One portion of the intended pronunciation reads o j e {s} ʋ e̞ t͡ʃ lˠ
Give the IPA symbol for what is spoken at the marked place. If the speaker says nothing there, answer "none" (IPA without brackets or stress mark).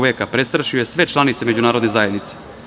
s